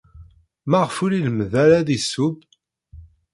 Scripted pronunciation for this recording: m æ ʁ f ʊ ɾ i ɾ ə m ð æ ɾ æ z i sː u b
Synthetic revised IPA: m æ ʁ f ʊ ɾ i l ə m ð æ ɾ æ ð i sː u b

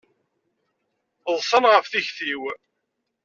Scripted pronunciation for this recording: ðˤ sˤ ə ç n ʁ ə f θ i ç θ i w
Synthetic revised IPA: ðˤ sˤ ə n ʁ ə f θ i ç θ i w

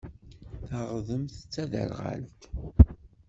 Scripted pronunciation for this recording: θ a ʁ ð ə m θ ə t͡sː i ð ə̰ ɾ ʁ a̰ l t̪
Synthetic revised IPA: θ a ʁ ð ə m θ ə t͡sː æ ð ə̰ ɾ ʁ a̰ l t̪

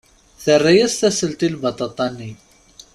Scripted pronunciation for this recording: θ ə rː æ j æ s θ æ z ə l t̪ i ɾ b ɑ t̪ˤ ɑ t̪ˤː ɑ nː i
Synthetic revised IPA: θ ə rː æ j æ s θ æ s ə l t̪ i l b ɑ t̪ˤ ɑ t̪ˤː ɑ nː i

